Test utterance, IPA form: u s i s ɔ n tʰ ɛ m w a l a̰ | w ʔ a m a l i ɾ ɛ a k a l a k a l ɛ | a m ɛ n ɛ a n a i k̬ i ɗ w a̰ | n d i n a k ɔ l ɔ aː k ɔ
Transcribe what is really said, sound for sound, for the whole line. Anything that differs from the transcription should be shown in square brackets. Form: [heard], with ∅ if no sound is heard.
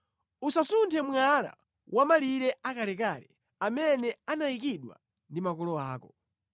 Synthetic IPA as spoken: u s [a] s [u] n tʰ ɛ m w a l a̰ | w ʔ a m a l i ɾ ɛ a k a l [ɛ] k a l ɛ | a m ɛ n ɛ a n a i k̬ i ɗ w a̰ | n d i [m] a k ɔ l ɔ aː k ɔ